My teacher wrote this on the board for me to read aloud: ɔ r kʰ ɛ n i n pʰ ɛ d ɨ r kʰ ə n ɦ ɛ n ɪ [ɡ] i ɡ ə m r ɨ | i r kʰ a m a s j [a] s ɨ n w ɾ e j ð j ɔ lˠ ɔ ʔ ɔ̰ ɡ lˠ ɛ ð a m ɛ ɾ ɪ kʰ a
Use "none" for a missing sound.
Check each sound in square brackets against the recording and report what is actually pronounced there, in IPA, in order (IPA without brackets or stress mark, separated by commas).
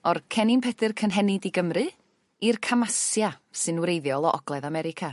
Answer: d, a